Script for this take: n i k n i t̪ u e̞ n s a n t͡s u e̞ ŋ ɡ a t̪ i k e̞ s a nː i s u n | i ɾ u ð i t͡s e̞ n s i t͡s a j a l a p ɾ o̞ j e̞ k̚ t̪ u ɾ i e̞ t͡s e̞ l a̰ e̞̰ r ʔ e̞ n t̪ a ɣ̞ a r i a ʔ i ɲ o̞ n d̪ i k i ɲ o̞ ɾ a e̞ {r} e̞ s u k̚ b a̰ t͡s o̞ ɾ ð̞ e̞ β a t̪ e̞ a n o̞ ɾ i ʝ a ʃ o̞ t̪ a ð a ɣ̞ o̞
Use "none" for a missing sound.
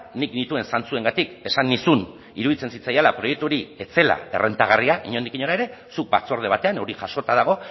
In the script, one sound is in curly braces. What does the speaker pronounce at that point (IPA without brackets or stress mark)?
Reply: ɾ